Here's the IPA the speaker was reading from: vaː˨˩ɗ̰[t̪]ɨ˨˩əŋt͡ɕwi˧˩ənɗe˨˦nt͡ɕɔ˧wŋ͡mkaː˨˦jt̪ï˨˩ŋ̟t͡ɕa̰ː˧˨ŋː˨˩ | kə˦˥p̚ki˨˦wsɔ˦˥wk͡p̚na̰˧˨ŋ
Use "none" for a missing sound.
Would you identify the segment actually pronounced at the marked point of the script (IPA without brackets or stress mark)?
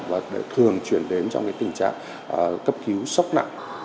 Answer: t̪ʰ